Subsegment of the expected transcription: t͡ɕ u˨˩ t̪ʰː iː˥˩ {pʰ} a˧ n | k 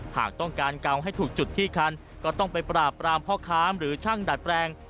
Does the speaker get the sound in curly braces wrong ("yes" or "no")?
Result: yes